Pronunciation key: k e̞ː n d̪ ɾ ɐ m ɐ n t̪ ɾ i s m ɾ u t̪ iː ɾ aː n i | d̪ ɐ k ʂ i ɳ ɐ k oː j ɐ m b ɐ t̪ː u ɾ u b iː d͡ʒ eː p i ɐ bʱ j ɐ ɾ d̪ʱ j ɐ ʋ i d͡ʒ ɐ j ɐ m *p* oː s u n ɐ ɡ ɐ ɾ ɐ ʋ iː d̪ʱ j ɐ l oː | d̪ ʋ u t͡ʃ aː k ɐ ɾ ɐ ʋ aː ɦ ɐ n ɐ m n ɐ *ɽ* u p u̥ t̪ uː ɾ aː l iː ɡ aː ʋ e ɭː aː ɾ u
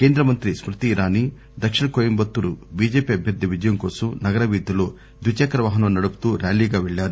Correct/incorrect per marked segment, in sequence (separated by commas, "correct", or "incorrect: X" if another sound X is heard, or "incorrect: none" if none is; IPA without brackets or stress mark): incorrect: k, correct